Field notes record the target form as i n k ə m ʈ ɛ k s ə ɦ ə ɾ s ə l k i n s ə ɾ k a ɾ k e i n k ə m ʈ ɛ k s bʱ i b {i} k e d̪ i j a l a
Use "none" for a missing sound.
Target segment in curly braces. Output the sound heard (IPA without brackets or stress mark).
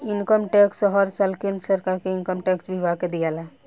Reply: a